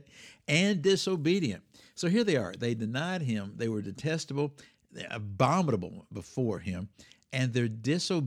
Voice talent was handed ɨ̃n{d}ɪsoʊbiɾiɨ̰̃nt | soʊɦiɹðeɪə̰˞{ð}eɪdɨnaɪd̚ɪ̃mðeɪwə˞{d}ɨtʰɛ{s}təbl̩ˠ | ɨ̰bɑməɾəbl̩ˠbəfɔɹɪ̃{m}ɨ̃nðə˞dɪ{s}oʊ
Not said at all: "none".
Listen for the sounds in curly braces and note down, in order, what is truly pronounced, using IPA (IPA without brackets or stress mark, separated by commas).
d, ð, d, s, m, s